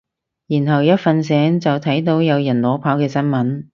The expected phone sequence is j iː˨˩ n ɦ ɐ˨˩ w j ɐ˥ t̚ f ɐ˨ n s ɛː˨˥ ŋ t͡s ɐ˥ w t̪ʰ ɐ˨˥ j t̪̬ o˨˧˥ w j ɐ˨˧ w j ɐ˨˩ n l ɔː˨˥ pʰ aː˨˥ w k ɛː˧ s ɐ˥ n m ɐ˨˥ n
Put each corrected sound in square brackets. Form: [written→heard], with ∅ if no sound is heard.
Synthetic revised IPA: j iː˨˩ n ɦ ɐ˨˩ w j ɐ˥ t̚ f ɐ˨ n s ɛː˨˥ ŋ t͡s [ɐ˥→ɐ˨] w t̪ʰ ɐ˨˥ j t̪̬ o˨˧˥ w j ɐ˨˧ w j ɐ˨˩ n l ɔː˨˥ pʰ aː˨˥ w k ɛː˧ s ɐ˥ n m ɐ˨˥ n